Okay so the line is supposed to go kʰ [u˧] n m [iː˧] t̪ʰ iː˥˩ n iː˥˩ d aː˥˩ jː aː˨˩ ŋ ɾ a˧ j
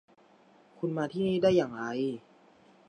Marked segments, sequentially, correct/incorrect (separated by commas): correct, incorrect